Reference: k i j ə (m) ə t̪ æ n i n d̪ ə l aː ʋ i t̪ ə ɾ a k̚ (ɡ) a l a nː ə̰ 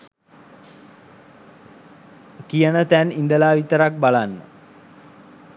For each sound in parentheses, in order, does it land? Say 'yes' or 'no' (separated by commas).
no, no